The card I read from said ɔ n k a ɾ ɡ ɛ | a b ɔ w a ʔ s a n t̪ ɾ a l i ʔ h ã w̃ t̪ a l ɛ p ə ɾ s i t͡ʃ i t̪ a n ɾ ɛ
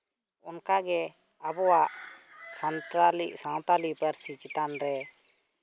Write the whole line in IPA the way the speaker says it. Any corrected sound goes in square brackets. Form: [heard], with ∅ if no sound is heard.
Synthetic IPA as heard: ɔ n k a [∅] ɡ ɛ | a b ɔ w a ʔ s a n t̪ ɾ a l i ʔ [s] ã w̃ t̪ a l [i] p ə ɾ s i t͡ʃ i t̪ a n ɾ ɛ